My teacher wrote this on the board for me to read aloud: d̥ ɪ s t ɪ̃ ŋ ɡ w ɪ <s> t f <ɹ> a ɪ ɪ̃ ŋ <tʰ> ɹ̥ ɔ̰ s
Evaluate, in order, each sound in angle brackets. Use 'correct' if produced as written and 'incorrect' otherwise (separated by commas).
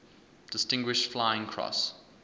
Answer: incorrect, incorrect, incorrect